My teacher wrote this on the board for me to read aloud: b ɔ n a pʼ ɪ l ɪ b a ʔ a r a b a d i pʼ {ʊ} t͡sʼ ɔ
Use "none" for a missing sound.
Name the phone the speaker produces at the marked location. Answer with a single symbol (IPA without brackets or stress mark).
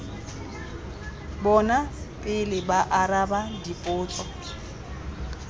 ʊː